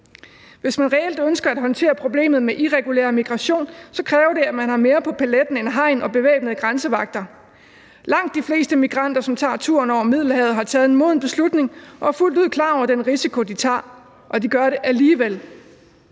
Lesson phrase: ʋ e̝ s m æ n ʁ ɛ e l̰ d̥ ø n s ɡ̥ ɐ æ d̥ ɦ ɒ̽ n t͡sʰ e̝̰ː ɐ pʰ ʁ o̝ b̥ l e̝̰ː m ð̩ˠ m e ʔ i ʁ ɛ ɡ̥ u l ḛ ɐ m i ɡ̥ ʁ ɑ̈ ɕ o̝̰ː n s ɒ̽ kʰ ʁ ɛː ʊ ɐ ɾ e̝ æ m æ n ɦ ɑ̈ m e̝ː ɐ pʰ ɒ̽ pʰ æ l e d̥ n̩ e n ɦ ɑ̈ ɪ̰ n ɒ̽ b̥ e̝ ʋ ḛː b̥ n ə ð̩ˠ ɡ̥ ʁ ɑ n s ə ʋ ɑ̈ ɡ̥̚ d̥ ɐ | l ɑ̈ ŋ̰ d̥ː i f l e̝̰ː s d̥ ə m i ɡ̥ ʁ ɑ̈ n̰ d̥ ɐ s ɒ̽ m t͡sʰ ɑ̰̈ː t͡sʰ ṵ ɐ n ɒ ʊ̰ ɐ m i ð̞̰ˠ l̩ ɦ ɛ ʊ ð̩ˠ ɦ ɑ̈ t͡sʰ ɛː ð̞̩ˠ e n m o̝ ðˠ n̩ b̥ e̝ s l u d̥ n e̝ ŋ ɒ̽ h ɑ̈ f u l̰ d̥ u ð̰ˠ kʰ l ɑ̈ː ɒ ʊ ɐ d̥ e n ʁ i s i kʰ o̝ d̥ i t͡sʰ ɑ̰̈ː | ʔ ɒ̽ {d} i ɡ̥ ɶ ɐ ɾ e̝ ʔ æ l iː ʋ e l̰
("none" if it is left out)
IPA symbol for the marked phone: d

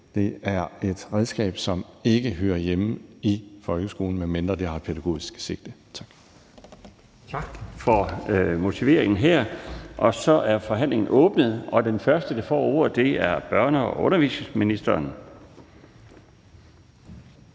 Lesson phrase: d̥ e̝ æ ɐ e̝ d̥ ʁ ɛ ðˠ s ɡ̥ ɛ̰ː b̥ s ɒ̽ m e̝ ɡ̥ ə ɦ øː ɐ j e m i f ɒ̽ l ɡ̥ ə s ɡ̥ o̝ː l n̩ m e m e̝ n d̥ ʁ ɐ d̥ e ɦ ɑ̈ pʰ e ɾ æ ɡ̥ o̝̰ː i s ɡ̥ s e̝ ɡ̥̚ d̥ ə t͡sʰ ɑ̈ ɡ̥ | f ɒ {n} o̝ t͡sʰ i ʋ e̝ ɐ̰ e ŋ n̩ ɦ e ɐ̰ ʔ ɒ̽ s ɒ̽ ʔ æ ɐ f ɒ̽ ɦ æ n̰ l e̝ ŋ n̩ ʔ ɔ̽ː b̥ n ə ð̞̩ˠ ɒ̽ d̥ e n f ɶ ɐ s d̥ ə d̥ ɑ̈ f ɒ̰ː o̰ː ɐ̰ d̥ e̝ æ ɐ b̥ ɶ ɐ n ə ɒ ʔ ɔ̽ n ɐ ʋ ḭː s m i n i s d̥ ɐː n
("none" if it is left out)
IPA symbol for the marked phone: m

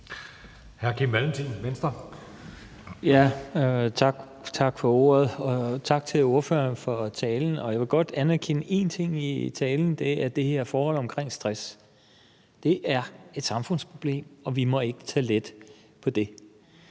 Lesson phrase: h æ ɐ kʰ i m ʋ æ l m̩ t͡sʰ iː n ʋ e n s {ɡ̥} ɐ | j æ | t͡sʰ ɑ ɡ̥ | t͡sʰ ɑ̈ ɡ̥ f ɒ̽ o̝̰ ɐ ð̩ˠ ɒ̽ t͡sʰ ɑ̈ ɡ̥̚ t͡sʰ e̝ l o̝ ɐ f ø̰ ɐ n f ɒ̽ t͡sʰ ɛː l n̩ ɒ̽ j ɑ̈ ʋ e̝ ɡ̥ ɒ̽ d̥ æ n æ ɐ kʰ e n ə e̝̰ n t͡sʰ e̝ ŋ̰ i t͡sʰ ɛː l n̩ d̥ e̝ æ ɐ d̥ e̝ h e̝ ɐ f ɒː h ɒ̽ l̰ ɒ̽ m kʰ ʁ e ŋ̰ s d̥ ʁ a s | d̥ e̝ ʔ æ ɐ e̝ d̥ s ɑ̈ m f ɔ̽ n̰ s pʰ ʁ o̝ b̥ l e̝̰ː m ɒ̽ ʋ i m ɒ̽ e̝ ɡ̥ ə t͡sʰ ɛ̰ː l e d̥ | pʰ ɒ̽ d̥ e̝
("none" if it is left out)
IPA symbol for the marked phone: d̥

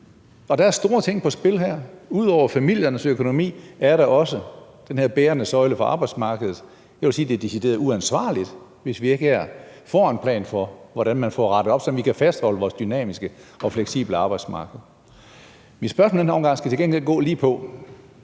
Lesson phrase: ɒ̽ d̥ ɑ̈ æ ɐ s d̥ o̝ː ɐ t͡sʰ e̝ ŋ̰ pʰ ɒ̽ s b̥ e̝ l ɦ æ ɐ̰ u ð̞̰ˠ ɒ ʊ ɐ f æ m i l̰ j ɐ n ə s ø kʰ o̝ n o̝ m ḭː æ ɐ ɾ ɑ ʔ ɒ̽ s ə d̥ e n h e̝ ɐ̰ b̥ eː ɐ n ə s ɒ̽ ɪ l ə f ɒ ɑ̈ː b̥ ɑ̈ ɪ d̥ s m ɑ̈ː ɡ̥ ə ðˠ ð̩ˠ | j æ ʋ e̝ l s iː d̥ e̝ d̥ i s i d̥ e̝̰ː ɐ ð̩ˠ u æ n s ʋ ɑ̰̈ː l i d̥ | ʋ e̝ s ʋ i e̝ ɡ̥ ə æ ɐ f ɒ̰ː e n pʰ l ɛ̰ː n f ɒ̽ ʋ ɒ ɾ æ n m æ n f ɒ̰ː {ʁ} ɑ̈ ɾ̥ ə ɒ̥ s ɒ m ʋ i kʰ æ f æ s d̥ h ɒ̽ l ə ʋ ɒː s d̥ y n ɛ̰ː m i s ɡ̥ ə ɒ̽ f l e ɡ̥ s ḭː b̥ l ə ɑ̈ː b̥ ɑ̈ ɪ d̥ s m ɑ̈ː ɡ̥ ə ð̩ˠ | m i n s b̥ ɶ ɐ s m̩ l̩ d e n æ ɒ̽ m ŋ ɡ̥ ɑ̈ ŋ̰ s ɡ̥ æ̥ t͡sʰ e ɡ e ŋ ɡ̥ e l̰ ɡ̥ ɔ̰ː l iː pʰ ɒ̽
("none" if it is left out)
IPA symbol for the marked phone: ʁ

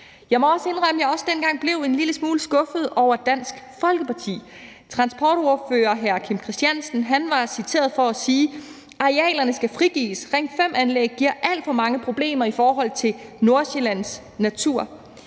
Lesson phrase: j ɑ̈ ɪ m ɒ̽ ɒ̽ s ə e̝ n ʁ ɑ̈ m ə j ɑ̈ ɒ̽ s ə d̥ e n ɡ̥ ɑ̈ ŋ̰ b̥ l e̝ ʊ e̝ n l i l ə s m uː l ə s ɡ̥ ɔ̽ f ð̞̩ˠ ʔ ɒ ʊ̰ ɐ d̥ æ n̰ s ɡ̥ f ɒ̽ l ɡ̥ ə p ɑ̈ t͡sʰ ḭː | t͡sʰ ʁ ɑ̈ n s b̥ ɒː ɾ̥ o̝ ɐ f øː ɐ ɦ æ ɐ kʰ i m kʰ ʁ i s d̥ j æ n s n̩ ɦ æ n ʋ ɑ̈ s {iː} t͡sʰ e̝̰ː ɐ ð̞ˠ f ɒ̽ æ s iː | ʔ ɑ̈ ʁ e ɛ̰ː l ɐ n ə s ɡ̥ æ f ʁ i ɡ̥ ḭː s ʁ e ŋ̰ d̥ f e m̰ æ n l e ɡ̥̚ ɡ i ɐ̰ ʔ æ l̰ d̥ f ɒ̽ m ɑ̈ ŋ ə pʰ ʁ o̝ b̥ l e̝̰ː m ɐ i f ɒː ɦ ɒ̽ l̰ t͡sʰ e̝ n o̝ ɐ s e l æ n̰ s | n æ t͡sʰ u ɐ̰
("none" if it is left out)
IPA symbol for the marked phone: i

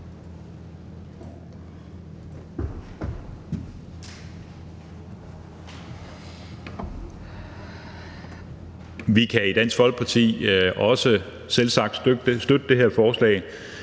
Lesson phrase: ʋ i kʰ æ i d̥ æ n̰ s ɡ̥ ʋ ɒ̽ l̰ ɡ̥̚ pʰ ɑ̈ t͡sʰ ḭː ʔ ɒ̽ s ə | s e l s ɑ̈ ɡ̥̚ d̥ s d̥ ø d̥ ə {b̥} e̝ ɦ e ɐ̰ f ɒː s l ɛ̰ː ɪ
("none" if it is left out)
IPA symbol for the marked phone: d̥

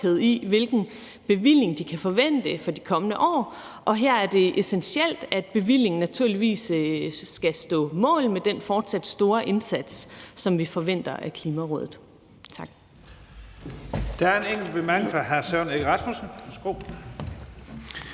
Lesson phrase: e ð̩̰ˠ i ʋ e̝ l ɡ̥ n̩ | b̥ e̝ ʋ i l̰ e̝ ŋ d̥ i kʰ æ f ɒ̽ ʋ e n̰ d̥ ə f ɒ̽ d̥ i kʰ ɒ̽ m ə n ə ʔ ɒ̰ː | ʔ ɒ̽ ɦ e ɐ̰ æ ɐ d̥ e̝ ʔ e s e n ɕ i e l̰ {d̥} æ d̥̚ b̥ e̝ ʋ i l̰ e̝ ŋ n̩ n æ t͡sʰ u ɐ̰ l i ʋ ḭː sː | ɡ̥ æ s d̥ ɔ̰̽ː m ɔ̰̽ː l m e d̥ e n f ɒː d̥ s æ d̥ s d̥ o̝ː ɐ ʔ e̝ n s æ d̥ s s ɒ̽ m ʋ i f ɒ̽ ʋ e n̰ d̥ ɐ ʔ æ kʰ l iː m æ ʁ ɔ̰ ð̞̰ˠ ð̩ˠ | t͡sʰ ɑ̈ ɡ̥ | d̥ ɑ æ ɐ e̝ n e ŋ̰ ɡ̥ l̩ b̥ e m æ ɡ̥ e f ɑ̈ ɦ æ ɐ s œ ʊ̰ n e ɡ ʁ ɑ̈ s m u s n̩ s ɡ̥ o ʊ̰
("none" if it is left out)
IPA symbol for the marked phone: d̥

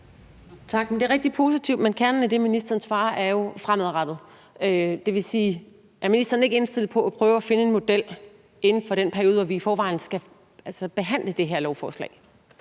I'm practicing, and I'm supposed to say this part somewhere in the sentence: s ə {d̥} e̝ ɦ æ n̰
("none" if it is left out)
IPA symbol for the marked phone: b̥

